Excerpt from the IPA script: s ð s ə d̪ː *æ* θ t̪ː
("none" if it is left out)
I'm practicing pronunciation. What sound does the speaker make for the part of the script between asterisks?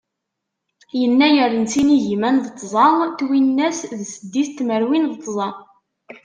i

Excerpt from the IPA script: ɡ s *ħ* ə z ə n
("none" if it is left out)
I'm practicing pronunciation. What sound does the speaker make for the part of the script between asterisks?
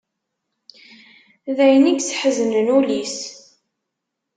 ħ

